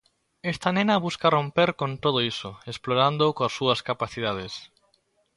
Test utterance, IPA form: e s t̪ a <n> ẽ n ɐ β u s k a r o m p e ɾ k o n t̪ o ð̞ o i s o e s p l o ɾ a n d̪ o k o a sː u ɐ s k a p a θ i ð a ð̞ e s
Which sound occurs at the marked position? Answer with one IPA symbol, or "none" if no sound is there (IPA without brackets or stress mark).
n